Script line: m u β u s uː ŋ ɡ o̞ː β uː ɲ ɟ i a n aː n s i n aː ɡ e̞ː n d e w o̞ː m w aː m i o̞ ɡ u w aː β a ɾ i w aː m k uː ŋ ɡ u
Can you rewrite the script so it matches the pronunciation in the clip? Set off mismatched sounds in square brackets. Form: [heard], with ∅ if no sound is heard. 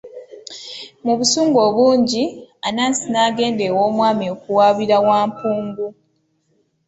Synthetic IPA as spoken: m u β u s uː ŋ ɡ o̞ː β uː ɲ ɟ i a n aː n s i n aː ɡ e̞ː n d e w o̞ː m w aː m i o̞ [k] u w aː β [i] ɾ [a] w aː m [p] uː ŋ ɡ u